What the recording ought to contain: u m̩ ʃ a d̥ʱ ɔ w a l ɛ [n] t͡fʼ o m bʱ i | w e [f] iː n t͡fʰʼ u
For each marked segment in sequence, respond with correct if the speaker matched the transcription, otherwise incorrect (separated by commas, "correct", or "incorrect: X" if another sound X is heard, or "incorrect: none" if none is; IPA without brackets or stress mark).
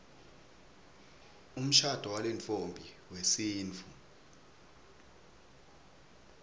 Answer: correct, incorrect: s